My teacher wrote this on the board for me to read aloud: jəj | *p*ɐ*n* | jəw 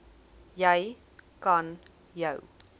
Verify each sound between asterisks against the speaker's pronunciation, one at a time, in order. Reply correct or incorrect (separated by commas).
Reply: incorrect, correct